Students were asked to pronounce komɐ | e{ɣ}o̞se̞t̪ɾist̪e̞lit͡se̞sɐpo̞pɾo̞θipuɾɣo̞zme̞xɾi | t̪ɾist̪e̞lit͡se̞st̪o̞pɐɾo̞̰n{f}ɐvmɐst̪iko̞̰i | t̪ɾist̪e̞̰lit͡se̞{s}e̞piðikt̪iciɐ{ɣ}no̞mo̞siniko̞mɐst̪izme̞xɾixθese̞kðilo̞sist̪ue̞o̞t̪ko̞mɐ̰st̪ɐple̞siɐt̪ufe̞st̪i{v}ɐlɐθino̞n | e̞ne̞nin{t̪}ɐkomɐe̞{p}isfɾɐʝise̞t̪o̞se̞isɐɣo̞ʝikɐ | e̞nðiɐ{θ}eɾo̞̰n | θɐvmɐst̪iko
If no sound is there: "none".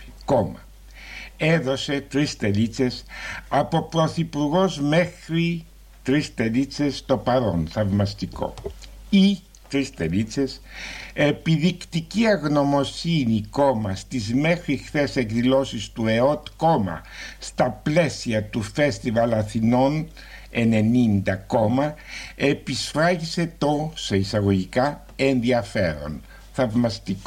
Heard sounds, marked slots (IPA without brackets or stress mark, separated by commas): ð, θ, s, ɣ, v, d̪, p, f